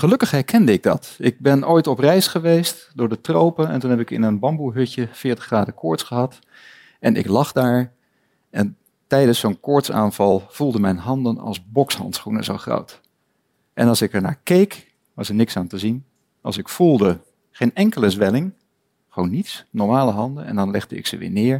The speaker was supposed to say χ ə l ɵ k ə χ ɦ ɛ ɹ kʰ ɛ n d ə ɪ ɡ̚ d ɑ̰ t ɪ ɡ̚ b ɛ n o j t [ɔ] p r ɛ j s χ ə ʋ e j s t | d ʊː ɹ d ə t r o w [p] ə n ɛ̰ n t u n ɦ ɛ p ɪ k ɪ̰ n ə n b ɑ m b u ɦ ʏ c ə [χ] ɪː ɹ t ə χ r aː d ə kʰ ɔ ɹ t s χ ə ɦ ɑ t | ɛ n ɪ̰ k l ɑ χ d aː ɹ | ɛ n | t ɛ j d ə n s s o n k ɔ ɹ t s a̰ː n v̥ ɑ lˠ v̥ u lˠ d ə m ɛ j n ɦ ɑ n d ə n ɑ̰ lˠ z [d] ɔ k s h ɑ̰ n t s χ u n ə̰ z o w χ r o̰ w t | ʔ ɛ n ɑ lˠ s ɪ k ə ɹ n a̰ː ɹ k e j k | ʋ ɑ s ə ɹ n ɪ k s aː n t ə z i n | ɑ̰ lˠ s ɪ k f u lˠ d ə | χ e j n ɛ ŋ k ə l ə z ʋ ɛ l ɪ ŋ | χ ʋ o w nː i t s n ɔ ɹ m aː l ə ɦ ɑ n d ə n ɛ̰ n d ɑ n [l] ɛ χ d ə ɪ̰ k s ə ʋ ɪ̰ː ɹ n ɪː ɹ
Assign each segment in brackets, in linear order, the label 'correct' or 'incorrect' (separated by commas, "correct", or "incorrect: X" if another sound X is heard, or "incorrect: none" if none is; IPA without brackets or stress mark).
correct, correct, incorrect: f, incorrect: b, correct